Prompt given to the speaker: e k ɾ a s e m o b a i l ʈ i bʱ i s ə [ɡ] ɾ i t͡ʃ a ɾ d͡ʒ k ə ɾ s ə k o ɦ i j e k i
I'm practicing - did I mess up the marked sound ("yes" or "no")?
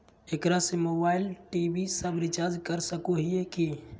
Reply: yes